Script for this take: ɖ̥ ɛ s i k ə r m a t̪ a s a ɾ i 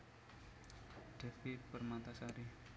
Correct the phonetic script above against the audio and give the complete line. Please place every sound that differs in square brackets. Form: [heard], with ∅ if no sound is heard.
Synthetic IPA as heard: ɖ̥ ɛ [f] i [p] ə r m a t̪ a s a ɾ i